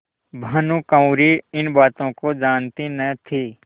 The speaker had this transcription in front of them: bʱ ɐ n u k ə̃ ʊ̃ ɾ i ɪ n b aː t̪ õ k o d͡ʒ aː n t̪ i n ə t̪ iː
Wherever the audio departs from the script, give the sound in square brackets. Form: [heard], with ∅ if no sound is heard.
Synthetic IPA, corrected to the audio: bʱ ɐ n u k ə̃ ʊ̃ ɾ i ɪ n b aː t̪ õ k o d͡ʒ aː n t̪ i n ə [t̪ʰ] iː